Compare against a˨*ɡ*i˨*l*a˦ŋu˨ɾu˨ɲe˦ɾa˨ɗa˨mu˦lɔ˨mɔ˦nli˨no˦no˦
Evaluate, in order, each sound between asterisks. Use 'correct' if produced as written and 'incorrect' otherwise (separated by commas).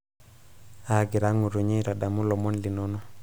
correct, incorrect